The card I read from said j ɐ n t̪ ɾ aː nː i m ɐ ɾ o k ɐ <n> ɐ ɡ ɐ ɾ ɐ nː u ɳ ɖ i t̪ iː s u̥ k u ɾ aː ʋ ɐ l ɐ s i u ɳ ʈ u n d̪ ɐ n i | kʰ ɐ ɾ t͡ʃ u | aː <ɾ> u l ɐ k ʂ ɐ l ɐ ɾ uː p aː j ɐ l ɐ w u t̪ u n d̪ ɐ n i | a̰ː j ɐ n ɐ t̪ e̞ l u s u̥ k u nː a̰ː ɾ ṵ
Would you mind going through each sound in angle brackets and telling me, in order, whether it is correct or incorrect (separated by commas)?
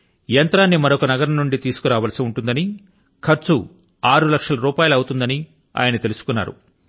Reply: correct, correct